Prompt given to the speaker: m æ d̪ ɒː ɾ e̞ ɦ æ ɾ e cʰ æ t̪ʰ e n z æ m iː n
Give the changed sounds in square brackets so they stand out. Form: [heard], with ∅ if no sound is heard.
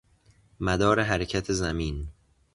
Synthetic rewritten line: m æ d̪ ɒː ɾ e̞ ɦ æ ɾ e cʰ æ t̪ʰ e [∅] z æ m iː n